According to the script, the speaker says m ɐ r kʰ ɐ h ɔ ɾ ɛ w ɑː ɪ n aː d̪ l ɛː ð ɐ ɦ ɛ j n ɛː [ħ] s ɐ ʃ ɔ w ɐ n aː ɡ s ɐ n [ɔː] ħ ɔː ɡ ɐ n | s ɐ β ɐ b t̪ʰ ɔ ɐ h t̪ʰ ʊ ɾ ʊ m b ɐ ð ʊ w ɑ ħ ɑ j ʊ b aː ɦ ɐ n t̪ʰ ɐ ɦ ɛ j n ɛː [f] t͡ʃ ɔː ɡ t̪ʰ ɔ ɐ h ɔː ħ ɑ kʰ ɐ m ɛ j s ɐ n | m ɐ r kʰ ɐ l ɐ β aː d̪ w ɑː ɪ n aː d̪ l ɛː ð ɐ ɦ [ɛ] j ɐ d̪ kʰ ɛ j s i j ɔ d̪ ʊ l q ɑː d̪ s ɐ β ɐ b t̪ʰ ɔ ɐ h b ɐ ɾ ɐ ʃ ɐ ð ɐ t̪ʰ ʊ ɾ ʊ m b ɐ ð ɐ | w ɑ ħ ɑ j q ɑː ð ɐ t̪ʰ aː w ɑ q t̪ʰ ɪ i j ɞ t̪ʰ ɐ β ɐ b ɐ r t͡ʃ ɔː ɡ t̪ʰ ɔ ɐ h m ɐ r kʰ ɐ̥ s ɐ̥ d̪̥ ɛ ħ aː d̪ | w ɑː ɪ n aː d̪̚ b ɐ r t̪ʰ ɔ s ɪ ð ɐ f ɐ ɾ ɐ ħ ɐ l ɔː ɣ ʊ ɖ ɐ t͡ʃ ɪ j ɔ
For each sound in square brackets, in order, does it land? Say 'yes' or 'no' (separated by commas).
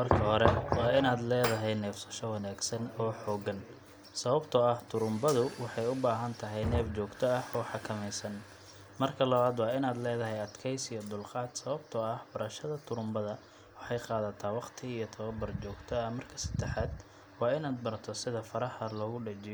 no, yes, yes, yes